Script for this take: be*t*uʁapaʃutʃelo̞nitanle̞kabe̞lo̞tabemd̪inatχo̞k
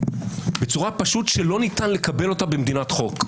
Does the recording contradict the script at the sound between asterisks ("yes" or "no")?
yes